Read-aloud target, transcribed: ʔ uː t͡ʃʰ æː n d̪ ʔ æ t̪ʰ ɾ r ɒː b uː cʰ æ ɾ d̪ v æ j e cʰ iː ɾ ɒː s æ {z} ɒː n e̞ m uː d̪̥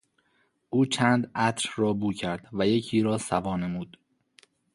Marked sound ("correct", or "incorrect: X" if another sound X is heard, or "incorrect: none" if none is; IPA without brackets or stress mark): incorrect: v